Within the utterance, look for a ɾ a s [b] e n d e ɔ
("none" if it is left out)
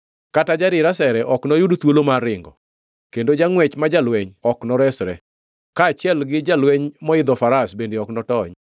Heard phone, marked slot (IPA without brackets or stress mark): b